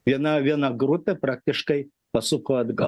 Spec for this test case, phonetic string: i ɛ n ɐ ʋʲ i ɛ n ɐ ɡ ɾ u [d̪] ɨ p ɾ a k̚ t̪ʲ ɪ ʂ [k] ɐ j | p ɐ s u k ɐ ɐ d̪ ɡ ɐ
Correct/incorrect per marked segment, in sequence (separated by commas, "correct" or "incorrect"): incorrect, correct